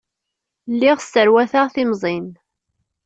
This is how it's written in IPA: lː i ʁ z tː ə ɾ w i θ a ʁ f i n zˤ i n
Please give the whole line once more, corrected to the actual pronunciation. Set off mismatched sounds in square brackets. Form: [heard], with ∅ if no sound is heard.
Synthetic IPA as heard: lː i ʁ [s] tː ə ɾ w [æ] θ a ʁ [θ] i [m] zˤ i n